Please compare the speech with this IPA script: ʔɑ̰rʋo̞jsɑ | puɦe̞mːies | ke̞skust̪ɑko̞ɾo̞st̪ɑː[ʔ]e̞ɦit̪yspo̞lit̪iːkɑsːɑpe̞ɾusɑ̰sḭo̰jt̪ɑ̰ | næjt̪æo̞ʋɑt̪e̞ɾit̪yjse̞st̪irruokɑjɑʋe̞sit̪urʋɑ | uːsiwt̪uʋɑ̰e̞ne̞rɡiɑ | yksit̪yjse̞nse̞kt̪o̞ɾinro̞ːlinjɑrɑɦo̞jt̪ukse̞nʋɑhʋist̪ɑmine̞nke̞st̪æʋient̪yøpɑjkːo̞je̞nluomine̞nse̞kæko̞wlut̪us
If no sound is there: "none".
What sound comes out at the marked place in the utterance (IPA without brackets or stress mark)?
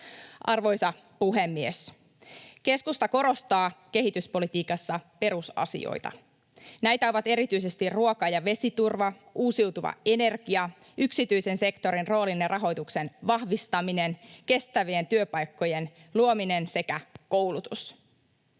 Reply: k